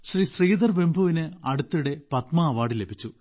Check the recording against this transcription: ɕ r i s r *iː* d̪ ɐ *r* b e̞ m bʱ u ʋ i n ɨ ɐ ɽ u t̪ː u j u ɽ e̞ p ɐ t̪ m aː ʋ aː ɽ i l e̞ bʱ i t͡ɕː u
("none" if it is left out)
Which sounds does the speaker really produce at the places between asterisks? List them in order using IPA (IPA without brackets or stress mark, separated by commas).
iː, r